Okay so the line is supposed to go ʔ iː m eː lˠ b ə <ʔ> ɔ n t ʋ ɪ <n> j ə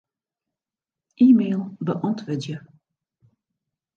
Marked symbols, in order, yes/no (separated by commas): yes, no